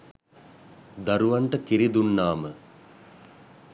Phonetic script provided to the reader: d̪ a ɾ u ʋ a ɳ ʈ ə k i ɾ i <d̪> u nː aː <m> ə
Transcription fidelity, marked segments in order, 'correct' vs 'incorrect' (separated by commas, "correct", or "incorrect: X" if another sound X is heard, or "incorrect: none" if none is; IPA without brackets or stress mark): correct, correct